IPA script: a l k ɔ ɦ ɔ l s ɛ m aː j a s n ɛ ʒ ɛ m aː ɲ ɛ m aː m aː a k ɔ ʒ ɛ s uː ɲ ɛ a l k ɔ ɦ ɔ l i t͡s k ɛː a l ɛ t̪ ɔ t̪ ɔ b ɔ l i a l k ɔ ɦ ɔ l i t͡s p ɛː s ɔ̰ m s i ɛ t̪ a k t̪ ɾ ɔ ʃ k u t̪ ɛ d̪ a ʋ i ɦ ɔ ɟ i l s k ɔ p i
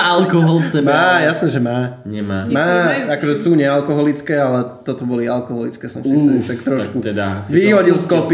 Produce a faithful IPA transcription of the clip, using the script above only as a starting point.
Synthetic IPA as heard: a l k ɔ ɦ ɔ l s ɛ m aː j a s n ɛ ʒ ɛ m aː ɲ ɛ m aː m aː a k ɔ ʒ ɛ s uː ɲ ɛ a l k ɔ ɦ ɔ l i t͡s k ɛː a l ɛ t̪ ɔ t̪ ɔ b ɔ l i a l k ɔ ɦ ɔ l i t͡s k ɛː s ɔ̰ m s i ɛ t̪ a k t̪ ɾ ɔ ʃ k u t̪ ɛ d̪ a ʋ i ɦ ɔ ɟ i l s k ɔ p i